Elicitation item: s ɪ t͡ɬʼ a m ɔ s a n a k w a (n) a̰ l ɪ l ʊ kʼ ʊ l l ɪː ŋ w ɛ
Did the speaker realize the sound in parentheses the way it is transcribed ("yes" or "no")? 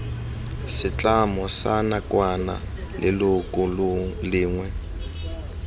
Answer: yes